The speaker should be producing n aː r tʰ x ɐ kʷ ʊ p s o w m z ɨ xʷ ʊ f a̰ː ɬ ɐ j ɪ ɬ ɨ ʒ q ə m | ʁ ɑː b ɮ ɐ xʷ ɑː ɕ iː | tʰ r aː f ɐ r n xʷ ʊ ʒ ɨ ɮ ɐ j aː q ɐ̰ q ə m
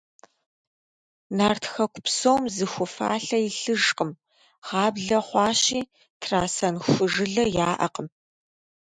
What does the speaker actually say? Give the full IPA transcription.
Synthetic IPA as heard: n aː r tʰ x ɐ kʷ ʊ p s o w m z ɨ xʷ ʊ f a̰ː ɬ ɐ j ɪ ɬ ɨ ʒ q ə m | ʁ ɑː b ɮ ɐ χʷ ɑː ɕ iː | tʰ r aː s ɐ n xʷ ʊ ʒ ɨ ɮ ɐ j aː ʔ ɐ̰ q ə m

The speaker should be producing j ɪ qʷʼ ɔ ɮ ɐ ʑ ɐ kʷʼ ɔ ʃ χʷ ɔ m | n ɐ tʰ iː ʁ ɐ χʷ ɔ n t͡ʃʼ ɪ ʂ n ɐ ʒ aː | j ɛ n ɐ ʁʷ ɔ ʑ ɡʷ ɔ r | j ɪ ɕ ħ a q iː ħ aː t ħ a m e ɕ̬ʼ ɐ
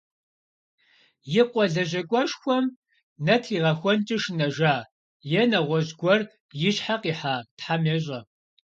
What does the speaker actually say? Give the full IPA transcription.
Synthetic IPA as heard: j ɪ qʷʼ ɔ ɮ ɐ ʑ ɐ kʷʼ ɔ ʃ xʷ ɔ m | n ɐ tʰ iː ʁ ɐ xʷ ɔ n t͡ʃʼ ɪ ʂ n ɐ ʒ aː | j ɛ n ɐ ʁʷ ɔ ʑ ɡʷ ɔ r | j ɪ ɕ ħ a q iː ħ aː t ħ a m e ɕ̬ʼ ɐ

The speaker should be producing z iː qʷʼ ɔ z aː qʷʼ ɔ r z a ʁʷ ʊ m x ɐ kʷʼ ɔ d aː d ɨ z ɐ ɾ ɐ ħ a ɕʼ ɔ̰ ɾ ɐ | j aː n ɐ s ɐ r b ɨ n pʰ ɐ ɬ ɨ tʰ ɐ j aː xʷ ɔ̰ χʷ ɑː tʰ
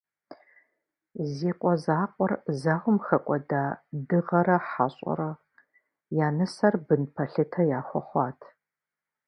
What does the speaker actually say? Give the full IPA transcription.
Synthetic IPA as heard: z iː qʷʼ ɔ z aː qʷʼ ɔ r z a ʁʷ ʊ m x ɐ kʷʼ ɔ d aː d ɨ ʁ ɐ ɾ ɐ ħ a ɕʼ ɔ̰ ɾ ɐ | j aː n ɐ s ɐ r b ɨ n pʰ ɐ ɬ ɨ tʰ ɐ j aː xʷ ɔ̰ χʷ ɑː tʰ

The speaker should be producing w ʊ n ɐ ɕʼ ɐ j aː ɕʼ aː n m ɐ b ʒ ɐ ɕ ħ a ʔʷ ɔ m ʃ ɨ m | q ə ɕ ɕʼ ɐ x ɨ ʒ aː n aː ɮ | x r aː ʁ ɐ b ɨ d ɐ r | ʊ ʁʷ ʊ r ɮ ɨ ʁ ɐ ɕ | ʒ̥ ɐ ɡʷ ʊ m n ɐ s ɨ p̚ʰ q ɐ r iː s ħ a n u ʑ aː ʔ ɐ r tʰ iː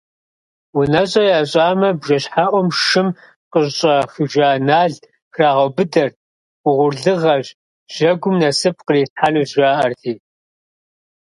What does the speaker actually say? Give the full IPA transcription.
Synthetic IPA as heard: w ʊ n ɐ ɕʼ ɐ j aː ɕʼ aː m ɐ b ʒ ɐ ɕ ħ a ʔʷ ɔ m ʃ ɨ m | q ə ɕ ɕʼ ɐ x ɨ ʒ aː n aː ɮ | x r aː ʁ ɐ b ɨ d ɐ r | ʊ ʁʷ ʊ r ɮ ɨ ʁ ɐ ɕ | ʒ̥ ɐ ɡʷ ʊ m n ɐ s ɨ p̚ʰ q ə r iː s ħ a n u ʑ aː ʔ ɐ r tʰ iː

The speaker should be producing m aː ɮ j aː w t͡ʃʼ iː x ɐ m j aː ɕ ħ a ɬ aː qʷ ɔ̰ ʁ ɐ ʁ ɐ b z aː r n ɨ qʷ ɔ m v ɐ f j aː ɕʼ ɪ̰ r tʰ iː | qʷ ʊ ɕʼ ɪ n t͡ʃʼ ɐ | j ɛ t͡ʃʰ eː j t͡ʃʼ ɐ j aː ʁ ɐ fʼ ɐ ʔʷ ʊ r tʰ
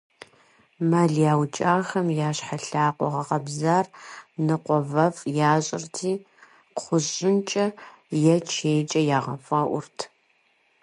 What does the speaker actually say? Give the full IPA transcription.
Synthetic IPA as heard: m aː ɮ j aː w t͡ʃʼ aː x ɐ m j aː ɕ ħ a ɬ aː qʷ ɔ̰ ʁ ɐ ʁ ɐ b z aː r n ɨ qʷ ɔ v ɐ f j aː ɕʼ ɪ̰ r tʰ iː | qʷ ʊ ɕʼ ɪ n t͡ʃʼ ɐ | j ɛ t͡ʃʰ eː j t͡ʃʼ ɐ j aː ʁ ɐ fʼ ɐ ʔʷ ʊ r tʰ

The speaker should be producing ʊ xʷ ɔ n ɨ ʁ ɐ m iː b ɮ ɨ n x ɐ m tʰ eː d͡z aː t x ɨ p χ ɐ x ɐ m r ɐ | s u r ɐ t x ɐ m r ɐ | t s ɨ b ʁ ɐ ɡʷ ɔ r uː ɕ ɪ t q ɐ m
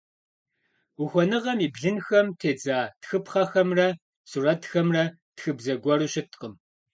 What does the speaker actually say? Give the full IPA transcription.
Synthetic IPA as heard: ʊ xʷ ɔ n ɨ ʁ ɐ m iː b ɮ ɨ n x ɐ m tʰ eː d͡z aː t x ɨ p χ ɐ x ɐ m r ɐ | s u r ɐ t x ɐ m r ɐ | t x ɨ b z ɐ ɡʷ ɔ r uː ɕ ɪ t q ə m

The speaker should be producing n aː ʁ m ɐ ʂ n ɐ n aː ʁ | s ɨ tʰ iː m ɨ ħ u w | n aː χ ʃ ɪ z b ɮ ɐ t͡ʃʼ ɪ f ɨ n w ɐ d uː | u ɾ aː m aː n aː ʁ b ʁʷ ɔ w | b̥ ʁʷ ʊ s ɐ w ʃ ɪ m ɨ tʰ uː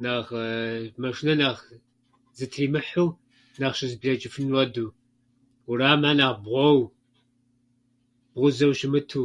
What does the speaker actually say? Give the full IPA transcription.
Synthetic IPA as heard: n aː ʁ m ɐ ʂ n ɐ n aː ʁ | z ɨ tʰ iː m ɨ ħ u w | n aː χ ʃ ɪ z b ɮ ɐ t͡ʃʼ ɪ f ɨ n w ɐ d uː | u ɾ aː m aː n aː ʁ b ʁʷ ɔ w | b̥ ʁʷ ʊ z ɐ w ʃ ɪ m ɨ tʰ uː

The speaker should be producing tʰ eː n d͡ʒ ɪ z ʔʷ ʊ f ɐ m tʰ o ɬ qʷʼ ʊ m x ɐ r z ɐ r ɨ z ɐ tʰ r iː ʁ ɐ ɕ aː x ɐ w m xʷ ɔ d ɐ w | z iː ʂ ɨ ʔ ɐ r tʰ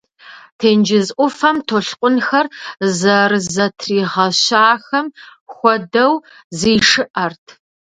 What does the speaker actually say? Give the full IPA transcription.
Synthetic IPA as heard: tʰ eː n d͡ʒ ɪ z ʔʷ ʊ f ɐ m tʰ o ɬ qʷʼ ʊ n x ɐ r z ɐ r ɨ z ɐ tʰ r iː ʁ ɐ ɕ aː x ɐ m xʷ ɔ d ɐ w | z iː ʂ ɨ ʔ ɐ r tʰ

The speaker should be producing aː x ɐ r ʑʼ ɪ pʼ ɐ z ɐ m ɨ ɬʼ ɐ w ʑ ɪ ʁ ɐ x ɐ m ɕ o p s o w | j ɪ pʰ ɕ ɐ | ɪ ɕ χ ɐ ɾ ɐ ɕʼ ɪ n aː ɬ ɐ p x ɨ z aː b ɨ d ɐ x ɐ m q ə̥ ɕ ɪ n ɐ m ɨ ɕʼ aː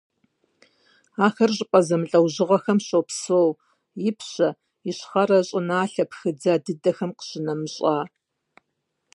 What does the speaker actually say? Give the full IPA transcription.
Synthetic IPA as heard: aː x ɐ r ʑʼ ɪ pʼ ɐ z ɐ m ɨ ɬʼ ɐ w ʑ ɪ ʁ ɐ x ɐ m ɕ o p s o w | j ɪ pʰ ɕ ɐ | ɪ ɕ χ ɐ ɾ ɐ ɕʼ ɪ n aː ɬ ɐ p x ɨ d͡z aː d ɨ d ɐ x ɐ m q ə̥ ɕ ɪ n ɐ m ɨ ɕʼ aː

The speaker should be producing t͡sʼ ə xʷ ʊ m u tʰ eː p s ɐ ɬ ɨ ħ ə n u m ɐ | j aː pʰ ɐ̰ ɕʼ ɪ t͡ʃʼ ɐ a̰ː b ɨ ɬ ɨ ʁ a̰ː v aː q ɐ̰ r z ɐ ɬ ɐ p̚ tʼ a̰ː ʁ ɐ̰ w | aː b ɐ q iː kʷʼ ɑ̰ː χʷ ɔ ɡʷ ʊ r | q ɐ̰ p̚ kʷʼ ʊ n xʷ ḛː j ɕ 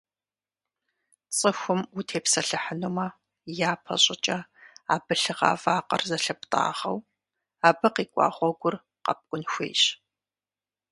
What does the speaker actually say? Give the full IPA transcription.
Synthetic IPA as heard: t͡sʼ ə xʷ ʊ m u tʰ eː p s ɐ ɬ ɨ ħ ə n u m ɐ | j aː pʰ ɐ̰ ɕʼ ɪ t͡ʃʼ ɐ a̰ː b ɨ ɬ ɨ ʁ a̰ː v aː q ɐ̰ r z ɐ ɬ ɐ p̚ tʼ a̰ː ʁ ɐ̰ w | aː b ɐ q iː kʷʼ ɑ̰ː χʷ ɔ ɡʷ ʊ r | q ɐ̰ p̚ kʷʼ ʊ n xʷ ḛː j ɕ

